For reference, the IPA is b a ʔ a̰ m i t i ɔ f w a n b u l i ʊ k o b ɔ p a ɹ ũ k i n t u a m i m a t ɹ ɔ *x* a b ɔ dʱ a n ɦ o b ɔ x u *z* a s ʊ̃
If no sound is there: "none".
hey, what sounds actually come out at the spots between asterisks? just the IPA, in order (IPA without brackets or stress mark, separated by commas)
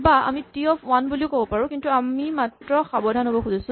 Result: x, z